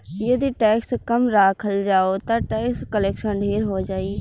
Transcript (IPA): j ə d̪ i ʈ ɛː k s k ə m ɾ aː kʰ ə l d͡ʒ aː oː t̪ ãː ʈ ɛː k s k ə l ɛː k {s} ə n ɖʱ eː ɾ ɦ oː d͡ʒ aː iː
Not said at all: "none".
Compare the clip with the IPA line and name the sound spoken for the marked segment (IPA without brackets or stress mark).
ʃ